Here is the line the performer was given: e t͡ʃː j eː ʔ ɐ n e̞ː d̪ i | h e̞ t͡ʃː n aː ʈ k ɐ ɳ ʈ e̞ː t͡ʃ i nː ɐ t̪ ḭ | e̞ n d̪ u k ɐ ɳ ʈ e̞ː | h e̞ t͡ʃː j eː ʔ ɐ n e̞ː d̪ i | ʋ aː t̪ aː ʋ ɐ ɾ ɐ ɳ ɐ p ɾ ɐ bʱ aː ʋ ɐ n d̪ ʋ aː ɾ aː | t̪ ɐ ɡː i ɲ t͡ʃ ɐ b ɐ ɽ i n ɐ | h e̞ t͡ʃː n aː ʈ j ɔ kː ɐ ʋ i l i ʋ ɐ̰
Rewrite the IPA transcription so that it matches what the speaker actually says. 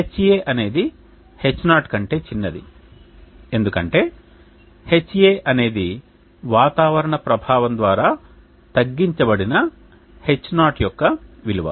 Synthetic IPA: e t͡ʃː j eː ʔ ɐ n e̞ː d̪ i | h e̞ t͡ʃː n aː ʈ k ɐ ɳ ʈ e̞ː t͡ʃ i nː ɐ d̪ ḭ | e̞ n d̪ u k ɐ ɳ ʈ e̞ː | h e̞ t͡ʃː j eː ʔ ɐ n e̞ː d̪ i | ʋ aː t̪ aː ʋ ɐ ɾ ɐ ɳ ɐ p ɾ ɐ bʱ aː ʋ ɐ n d̪ ʋ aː ɾ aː | t̪ ɐ ɡː i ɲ t͡ʃ ɐ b ɐ ɽ i n ɐ | h e̞ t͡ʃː n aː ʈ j ɔ kː ɐ ʋ i l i ʋ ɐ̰